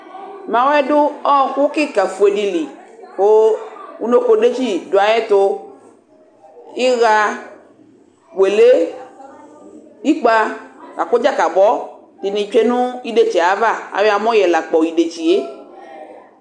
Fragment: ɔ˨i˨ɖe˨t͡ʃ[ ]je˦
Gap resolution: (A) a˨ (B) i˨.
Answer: B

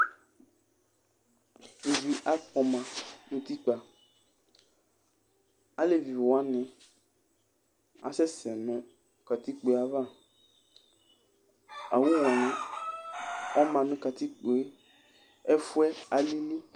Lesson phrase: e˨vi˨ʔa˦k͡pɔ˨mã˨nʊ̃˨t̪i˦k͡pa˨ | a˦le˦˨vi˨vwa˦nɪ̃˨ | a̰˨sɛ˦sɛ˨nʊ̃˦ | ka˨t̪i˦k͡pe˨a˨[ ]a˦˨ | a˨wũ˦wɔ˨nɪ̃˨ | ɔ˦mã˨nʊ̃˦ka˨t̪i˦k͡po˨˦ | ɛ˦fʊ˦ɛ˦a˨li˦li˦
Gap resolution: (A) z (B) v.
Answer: B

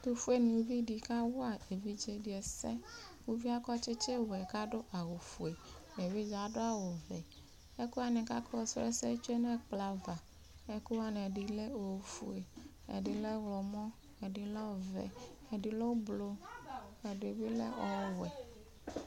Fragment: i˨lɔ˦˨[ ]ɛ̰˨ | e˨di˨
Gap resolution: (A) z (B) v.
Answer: B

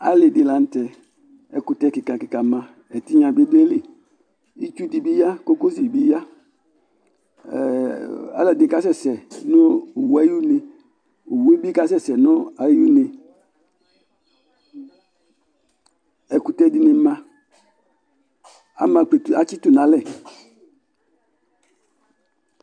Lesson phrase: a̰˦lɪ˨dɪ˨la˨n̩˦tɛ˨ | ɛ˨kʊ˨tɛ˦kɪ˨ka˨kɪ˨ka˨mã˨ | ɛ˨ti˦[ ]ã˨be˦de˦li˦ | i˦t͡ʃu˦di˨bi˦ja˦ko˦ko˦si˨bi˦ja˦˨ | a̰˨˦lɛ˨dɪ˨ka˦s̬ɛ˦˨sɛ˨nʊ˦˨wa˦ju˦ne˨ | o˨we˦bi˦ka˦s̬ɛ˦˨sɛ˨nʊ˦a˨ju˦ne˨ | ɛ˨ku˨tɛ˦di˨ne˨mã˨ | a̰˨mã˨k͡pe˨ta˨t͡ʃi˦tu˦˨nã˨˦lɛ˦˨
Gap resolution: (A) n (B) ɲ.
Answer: B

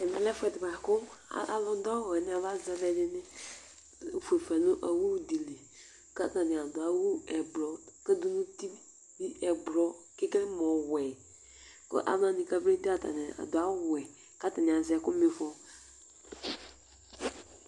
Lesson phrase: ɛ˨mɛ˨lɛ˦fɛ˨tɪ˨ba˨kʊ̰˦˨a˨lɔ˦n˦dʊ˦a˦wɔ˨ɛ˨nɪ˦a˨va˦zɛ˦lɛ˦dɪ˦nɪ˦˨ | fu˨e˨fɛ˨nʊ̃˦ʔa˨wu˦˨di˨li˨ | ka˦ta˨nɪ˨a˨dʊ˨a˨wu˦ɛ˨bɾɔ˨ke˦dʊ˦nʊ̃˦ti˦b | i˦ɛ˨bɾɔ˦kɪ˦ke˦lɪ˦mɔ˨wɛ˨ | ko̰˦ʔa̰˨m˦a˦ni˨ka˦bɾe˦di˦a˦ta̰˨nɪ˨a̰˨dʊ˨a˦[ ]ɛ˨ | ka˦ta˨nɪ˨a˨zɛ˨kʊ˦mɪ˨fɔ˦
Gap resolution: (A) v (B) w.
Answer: B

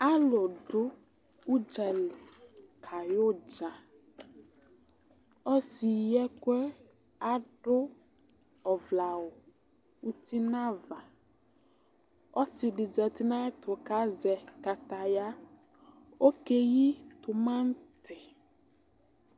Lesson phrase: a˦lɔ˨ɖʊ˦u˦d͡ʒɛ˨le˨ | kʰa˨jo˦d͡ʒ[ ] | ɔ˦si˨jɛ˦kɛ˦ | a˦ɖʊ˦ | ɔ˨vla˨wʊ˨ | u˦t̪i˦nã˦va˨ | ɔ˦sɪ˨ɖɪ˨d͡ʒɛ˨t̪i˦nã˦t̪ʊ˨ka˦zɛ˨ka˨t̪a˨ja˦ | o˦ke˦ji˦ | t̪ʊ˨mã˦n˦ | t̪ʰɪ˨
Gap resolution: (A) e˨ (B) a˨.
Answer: B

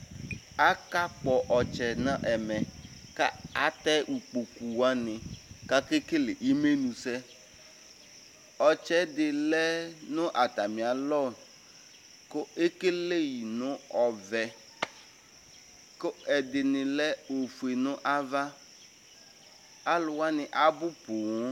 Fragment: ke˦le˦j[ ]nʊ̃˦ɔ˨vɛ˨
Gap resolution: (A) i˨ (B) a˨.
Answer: A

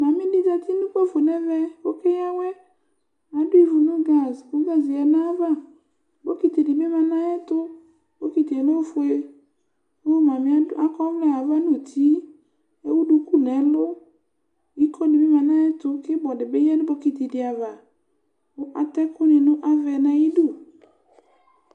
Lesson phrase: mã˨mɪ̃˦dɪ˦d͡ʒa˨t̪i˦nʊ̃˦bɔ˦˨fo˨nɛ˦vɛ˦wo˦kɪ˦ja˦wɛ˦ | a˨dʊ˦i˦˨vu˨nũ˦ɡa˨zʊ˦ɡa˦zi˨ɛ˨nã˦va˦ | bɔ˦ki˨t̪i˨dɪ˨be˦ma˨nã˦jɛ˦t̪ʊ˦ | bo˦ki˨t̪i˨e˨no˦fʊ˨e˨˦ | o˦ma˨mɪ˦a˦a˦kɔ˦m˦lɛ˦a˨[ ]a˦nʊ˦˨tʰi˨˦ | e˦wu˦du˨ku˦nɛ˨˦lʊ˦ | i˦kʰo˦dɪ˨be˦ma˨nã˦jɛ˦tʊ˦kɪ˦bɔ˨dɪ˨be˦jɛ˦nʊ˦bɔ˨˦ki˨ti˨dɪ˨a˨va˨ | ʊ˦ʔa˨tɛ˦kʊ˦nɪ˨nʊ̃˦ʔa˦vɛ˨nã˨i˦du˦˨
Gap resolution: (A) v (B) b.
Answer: A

